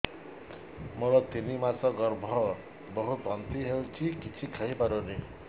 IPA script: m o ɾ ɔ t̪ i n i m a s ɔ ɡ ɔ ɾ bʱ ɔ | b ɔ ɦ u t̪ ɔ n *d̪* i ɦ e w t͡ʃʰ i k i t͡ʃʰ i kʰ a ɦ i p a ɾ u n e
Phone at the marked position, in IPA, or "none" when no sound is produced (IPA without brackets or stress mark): t̪